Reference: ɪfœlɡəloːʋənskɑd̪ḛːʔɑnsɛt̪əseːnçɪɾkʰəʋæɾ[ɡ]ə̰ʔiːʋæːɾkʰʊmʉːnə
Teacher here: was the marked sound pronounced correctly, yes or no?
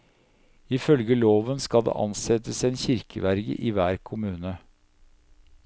yes